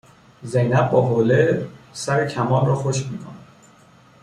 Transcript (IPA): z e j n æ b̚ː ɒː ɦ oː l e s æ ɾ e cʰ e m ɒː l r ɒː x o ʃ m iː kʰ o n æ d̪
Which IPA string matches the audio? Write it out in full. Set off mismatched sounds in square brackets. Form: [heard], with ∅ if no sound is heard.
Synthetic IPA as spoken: z e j n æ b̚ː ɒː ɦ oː l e s æ ɾ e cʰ [æ] m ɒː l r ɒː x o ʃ m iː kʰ o n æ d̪